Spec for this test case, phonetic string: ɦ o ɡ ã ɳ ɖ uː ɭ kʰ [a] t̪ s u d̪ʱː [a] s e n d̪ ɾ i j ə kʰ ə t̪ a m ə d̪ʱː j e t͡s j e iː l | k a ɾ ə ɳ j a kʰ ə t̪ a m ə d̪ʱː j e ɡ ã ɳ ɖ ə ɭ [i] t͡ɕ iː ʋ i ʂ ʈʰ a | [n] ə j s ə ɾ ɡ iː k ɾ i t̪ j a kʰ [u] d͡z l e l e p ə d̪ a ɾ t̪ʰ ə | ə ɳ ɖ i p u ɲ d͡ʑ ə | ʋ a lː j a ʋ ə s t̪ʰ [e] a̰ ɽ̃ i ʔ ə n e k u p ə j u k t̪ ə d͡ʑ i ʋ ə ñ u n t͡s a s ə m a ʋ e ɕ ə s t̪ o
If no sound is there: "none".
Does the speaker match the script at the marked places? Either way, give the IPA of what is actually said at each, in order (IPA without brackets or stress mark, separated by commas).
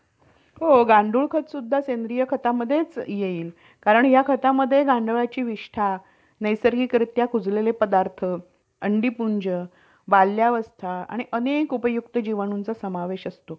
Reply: ə, a, a, n, u, a